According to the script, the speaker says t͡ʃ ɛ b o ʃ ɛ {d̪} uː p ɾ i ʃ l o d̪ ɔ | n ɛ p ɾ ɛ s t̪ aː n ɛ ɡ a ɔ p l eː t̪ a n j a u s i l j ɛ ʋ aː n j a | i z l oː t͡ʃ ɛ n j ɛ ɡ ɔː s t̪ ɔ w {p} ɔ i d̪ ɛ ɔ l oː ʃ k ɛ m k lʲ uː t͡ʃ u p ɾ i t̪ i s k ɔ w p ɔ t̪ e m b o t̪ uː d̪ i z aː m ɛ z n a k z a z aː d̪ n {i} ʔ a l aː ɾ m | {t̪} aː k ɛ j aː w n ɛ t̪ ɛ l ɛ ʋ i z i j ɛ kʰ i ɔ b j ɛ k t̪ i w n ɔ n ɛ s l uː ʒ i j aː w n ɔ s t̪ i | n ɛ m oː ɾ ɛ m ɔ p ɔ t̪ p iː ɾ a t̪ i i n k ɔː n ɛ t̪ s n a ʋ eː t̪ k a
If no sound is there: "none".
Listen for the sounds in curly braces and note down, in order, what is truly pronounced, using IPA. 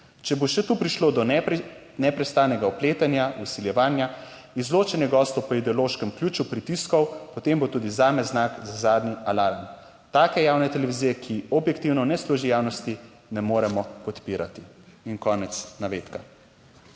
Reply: t̪, p, i, t̪

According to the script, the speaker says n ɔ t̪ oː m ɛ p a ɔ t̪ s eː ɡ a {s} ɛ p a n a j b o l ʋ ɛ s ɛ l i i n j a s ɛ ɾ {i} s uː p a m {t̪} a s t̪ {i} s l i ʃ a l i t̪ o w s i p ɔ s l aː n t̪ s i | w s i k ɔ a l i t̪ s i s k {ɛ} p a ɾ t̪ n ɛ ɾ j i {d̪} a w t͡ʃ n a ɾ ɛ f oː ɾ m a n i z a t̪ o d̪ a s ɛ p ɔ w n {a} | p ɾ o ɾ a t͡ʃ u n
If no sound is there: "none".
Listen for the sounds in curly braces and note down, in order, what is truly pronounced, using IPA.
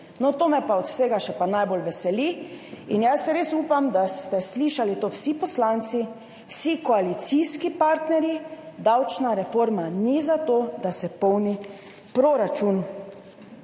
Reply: ʃ, e, d̪, ɛ, i, d̪, i

